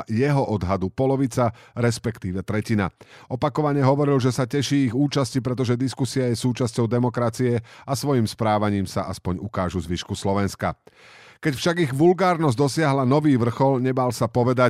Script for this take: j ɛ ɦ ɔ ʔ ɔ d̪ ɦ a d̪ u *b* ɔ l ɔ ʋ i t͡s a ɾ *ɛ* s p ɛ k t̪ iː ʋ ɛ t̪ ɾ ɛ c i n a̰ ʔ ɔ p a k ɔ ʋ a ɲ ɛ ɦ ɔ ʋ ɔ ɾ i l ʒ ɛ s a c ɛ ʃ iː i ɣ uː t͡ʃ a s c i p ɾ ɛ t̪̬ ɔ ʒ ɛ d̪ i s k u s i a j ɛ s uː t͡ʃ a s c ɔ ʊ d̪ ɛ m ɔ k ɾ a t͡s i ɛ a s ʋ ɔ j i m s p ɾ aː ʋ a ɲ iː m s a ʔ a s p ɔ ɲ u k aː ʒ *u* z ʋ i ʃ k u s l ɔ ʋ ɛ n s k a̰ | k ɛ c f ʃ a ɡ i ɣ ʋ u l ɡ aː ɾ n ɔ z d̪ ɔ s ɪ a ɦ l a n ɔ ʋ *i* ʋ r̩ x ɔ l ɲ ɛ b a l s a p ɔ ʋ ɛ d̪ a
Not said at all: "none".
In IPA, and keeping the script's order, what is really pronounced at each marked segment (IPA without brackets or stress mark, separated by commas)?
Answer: p, ɛ, u, iː